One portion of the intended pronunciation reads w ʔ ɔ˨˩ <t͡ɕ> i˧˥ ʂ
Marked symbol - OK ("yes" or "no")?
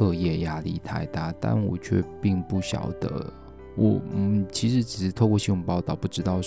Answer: no